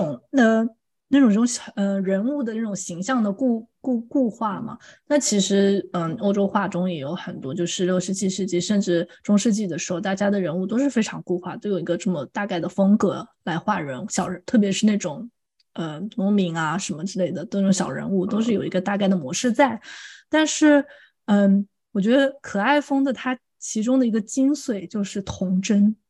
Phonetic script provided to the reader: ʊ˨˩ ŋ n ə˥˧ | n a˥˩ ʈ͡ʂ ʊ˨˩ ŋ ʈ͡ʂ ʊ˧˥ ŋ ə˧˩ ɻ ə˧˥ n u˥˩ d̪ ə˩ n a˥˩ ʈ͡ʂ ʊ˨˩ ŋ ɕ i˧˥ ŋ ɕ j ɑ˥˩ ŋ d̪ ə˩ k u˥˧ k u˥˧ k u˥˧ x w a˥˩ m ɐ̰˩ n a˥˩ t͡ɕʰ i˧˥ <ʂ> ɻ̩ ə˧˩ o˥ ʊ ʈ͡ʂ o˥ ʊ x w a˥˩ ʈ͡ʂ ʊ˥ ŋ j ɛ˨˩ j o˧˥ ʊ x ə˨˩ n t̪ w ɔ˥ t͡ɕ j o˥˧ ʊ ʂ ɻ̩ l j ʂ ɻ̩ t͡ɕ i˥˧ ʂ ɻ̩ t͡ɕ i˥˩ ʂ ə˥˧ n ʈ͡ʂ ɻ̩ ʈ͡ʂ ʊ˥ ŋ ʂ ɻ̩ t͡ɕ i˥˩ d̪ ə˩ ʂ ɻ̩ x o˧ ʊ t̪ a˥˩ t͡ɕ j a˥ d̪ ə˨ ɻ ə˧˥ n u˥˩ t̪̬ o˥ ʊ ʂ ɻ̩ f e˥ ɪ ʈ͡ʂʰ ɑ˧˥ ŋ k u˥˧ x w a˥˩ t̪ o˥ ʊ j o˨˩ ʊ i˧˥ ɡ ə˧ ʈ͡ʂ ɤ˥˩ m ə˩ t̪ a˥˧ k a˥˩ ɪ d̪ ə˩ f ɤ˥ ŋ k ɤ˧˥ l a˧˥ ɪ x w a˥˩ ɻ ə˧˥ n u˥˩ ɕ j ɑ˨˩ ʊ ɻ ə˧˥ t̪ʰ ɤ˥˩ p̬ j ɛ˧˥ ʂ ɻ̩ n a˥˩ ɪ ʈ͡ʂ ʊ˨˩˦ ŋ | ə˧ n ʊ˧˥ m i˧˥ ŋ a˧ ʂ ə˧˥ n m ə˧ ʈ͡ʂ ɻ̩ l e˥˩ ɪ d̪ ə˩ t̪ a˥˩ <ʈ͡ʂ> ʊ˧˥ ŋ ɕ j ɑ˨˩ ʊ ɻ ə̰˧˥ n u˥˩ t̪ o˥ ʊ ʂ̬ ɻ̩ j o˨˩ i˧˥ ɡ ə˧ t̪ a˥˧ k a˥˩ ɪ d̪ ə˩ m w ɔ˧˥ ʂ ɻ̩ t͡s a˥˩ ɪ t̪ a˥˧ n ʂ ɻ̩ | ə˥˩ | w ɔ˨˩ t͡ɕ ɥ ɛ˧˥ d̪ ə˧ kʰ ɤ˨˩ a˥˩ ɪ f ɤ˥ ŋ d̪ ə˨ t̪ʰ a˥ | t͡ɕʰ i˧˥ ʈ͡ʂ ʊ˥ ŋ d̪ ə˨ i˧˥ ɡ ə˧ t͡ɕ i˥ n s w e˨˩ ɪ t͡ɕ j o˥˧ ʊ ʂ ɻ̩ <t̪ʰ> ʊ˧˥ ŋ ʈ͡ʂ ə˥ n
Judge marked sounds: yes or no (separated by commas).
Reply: yes, yes, yes